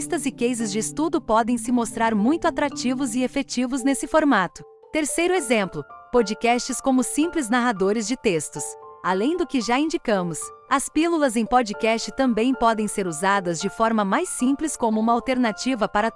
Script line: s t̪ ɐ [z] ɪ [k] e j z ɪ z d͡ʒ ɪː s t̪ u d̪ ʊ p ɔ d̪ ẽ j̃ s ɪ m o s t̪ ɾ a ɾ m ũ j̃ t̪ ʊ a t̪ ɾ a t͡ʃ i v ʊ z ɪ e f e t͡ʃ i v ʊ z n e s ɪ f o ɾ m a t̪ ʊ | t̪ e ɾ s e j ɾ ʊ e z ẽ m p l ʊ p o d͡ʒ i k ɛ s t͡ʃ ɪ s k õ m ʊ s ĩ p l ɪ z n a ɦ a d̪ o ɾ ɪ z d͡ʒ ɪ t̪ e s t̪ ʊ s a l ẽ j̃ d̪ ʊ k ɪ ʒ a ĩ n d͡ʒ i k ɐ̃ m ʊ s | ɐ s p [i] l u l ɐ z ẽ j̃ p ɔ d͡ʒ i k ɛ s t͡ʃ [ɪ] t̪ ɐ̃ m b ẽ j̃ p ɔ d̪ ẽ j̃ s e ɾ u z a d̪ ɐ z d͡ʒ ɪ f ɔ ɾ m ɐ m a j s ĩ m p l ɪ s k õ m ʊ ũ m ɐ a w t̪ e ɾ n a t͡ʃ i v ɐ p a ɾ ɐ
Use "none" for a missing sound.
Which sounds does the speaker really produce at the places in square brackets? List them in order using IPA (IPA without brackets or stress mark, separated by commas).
z, k, i, ɪ